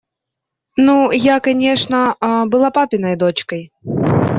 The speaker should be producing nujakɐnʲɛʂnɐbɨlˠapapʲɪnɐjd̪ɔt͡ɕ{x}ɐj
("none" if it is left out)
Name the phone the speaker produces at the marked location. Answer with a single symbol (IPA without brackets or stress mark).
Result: k